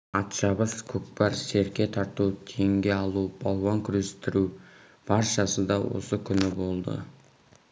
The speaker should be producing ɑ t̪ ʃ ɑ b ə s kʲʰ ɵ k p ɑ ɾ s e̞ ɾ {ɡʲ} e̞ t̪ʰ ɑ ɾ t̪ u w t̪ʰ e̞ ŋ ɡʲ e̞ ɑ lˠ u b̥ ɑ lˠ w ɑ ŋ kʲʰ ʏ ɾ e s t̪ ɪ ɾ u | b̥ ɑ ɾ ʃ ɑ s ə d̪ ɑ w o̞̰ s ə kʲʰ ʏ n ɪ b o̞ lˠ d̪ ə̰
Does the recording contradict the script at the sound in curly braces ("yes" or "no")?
yes